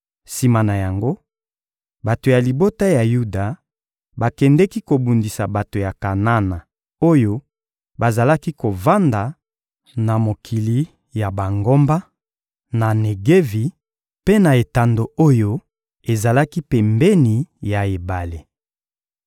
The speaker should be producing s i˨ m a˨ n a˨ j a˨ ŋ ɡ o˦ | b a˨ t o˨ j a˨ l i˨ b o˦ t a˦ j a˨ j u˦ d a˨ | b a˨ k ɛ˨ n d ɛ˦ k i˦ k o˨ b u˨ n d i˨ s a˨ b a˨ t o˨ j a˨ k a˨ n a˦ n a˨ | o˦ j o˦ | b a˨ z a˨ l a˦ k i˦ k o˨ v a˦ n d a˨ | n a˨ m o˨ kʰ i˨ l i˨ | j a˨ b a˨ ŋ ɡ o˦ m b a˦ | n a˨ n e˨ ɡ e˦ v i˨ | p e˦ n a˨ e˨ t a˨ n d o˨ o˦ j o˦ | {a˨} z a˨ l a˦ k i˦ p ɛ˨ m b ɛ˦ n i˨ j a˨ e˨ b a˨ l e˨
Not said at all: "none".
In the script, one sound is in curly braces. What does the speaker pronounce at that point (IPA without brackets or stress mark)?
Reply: e˨